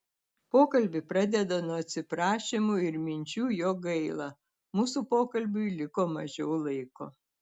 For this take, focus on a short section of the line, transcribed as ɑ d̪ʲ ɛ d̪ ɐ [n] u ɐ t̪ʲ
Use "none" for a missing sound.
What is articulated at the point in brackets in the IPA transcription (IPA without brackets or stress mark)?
n